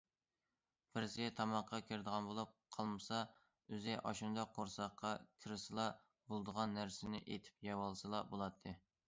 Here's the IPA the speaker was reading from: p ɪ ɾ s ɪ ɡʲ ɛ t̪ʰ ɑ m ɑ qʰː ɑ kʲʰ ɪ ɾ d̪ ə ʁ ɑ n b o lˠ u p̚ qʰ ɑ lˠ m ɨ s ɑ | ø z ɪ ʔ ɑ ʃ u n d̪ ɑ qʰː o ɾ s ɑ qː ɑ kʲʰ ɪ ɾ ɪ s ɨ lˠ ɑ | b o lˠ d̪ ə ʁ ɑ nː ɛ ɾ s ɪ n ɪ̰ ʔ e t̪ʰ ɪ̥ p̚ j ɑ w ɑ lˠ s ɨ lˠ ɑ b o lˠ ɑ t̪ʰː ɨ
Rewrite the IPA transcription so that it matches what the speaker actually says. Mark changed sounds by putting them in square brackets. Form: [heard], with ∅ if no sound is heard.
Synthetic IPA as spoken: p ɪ ɾ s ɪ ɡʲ ɛ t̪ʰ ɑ m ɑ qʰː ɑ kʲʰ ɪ ɾ d̪ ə ʁ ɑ n b o lˠ u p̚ qʰ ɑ lˠ m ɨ s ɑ | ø z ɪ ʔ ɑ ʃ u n d̪ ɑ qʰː o ɾ s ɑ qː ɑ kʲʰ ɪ ɾ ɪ s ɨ lˠ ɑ | b o lˠ d̪ ə ʁ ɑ nː [æ] ɾ s ɪ n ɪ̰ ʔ e t̪ʰ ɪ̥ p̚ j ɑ w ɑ lˠ s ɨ lˠ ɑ b o lˠ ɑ t̪ʰː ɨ